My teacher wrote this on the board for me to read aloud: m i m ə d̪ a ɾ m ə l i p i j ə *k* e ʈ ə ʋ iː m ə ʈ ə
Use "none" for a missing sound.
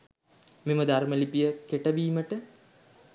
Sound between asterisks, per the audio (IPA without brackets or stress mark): k